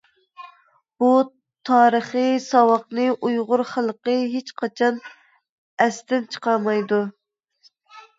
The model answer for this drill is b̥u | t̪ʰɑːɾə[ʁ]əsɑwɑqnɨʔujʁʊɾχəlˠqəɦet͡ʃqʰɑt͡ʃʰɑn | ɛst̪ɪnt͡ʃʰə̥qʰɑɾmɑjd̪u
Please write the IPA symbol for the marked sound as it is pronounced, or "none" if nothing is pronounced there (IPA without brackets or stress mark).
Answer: χ